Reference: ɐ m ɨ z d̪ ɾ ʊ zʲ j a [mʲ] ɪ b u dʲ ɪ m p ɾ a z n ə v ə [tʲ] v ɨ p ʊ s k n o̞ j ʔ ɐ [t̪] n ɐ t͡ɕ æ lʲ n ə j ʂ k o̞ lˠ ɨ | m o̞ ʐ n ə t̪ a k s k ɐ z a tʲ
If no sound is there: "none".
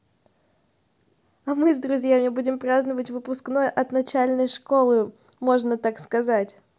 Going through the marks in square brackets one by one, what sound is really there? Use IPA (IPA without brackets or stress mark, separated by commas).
mʲ, tʲ, t̪